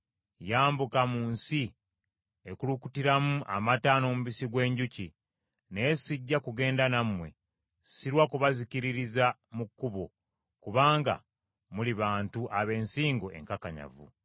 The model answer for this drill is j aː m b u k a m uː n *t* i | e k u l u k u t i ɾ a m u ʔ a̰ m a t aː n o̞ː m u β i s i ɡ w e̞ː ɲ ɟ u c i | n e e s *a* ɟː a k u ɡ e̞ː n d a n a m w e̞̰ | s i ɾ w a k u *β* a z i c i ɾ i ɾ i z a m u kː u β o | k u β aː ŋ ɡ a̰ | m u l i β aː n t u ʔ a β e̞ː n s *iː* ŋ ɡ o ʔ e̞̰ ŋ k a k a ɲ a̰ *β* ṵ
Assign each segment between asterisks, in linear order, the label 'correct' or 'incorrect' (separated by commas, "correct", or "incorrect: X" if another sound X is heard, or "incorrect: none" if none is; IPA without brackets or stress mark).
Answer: incorrect: s, incorrect: i, correct, correct, incorrect: v